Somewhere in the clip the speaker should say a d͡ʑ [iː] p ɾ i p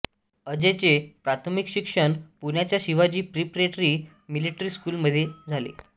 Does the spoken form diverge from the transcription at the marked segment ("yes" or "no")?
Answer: no